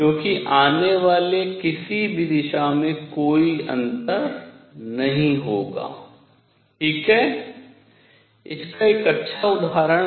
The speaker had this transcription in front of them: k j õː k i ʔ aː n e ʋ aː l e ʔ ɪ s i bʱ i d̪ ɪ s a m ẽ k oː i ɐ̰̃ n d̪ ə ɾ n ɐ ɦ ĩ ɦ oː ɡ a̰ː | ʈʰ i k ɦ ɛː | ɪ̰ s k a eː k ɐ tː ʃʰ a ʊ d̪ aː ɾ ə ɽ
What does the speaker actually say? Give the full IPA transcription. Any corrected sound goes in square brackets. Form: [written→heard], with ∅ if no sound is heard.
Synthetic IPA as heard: k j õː k i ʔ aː n e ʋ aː l e [ʔ→k] ɪ s i bʱ i d̪ ɪ [s→ʃ] a m ẽ k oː i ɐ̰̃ n [d̪→t̪] ə ɾ n ɐ ɦ ĩ ɦ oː ɡ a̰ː | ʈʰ [i→iː] k ɦ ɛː | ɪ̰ s k a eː k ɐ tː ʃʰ a ʊ d̪ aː ɾ ə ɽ